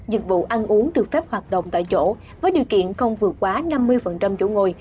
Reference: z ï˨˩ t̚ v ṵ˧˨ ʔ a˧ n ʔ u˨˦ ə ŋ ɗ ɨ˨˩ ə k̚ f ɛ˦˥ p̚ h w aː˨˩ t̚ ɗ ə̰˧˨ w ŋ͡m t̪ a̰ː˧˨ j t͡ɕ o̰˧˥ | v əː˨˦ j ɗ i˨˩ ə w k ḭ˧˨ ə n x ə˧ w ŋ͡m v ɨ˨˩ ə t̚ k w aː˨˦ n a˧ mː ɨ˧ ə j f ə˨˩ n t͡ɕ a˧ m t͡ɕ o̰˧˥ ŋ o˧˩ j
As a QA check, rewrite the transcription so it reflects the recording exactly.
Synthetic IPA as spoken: z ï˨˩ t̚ v ṵ˧˨ ʔ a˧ n ʔ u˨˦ ə ŋ ɗ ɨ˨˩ ə k̚ f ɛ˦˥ p̚ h w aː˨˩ t̚ ɗ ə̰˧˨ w ŋ͡m t̪ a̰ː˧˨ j t͡ɕ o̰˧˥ | v əː˨˦ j ɗ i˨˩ ə w k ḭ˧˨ ə n x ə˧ w ŋ͡m v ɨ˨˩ ə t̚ k w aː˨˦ n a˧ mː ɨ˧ ə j f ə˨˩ n t͡ɕ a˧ m t͡ɕ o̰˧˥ ŋ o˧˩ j